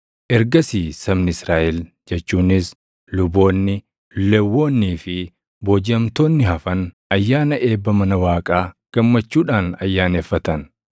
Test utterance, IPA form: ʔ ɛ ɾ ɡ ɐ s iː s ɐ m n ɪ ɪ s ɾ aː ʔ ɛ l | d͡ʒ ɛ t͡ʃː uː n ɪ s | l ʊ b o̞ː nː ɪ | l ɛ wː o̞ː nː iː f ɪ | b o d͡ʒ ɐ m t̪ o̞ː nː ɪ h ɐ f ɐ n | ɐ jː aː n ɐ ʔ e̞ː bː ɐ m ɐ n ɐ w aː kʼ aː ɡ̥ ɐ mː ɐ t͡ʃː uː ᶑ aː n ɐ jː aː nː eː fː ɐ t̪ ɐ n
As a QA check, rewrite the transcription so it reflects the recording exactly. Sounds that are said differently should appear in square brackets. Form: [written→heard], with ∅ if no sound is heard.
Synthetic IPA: ʔ ɛ ɾ ɡ ɐ s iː s ɐ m n ɪ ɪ s ɾ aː ʔ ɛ l | d͡ʒ ɛ t͡ʃː uː n ɪ s | l ʊ b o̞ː nː ɪ | l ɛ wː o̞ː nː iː f ɪ | b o d͡ʒ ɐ m t̪ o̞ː nː ɪ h ɐ f ɐ n | ɐ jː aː n ɐ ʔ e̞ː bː ɐ m ɐ n ɐ w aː kʼ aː ɡ̥ ɐ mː ɐ t͡ʃː uː ᶑ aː n ɐ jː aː [nː→n] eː fː ɐ t̪ ɐ n